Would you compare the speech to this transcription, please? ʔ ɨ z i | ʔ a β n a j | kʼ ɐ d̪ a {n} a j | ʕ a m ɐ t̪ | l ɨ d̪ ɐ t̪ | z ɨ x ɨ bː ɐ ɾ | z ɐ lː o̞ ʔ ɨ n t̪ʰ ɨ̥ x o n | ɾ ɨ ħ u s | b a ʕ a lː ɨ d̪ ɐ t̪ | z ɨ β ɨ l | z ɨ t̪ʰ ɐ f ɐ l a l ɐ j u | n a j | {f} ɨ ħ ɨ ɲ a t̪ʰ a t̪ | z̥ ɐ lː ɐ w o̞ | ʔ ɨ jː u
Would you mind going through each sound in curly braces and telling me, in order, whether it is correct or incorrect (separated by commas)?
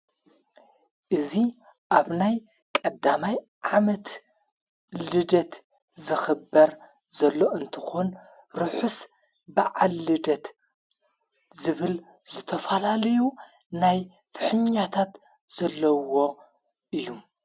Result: incorrect, correct